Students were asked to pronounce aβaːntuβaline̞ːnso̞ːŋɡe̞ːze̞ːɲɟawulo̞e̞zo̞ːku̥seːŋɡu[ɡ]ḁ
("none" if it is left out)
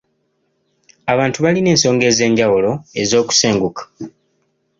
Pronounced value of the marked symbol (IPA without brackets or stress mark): k